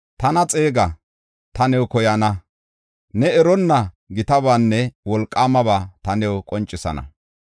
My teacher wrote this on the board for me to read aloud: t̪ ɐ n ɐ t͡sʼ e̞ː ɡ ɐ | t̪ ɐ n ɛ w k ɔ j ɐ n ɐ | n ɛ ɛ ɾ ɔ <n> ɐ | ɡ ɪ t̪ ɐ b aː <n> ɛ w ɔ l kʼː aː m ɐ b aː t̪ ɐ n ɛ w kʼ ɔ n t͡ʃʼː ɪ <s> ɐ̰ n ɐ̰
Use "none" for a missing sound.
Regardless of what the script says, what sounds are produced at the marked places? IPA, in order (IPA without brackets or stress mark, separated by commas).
nː, nː, s